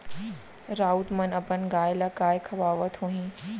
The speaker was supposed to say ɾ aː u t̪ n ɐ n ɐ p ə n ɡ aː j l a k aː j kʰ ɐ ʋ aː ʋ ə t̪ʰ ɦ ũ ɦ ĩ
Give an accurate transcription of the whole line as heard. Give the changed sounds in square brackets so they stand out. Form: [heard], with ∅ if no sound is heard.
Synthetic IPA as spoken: ɾ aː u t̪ [m] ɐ n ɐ p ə n ɡ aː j l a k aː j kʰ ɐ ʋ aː ʋ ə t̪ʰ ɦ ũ ɦ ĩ